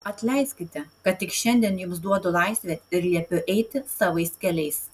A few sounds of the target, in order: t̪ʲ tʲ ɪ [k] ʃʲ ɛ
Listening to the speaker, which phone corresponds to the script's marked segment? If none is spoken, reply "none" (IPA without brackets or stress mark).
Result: k